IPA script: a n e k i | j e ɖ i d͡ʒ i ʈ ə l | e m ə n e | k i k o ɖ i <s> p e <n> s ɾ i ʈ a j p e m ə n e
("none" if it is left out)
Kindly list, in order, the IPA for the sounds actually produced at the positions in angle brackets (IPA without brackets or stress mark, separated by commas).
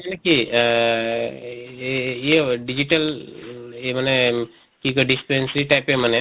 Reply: s, n